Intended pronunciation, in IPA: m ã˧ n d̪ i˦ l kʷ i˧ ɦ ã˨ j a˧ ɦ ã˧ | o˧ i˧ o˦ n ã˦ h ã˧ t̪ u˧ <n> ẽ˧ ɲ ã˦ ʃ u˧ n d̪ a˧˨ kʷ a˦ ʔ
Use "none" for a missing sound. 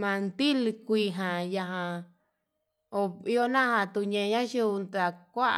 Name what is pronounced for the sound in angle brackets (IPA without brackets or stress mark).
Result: ɲ